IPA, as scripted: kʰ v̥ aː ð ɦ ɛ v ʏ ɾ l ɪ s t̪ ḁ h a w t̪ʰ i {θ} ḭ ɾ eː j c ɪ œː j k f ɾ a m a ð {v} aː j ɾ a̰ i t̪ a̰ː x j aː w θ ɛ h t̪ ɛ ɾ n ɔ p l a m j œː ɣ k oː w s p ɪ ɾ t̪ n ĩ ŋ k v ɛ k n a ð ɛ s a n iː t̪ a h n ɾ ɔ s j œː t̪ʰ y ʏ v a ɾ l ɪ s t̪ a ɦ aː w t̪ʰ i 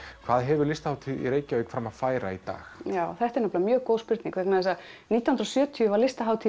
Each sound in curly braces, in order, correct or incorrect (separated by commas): incorrect, incorrect